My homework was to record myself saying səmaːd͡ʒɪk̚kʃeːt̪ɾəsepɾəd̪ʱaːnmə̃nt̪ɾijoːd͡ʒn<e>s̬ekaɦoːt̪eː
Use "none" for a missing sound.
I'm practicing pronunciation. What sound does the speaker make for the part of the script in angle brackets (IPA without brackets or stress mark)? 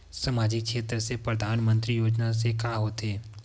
a